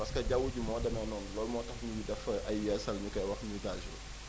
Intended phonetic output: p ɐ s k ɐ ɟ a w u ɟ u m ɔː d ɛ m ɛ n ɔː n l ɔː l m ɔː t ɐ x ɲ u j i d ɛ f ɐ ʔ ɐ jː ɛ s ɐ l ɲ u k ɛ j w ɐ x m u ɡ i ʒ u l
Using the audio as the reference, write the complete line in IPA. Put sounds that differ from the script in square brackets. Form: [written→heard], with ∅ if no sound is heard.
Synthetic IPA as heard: p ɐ s k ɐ ɟ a w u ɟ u m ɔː d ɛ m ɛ n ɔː n l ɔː l m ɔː t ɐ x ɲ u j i d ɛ f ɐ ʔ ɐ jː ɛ s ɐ l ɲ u k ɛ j w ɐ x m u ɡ [i→a] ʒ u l